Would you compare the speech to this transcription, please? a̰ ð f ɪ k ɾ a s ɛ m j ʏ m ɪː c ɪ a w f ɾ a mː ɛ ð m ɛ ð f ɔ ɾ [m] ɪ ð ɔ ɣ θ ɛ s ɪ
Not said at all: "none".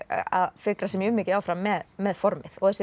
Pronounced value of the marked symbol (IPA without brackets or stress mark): m